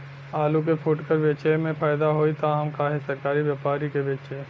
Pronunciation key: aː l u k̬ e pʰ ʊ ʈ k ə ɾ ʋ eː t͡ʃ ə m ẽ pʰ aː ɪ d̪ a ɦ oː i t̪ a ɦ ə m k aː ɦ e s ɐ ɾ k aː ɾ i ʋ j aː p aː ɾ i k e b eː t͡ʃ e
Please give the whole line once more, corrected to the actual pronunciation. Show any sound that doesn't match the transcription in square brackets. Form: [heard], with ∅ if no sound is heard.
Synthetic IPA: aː l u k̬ e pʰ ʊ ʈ k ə ɾ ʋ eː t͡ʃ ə m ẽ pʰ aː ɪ d̪ a ɦ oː i t̪ a ɦ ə m k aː ɦ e s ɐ ɾ k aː ɾ i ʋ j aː p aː ɾ i k e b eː t͡ʃ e